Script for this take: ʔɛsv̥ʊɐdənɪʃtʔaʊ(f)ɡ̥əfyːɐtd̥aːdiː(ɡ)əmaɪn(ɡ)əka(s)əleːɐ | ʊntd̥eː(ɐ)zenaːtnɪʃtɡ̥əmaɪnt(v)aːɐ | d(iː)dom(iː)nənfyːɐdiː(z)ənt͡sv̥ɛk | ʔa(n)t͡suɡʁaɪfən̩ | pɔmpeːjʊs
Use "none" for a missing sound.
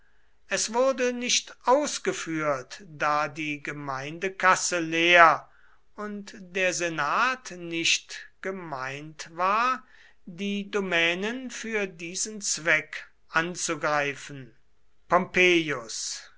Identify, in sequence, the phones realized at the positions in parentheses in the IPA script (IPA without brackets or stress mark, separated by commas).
s, ɡ, d, s, ɐ, v, iː, ɛː, z, n